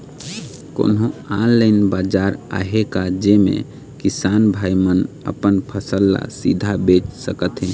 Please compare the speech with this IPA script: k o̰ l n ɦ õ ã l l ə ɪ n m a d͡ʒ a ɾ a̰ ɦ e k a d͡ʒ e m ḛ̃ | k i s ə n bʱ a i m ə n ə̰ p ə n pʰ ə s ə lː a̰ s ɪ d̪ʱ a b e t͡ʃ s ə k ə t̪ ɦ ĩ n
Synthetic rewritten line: k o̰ n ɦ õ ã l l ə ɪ n b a d͡ʒ a ɾ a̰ ɦ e k a d͡ʒ e m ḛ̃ | k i s a n bʱ a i m ə n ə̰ p ə n pʰ ə s ə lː a̰ s i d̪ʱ a b e t͡ʃ s ə k ə t̪ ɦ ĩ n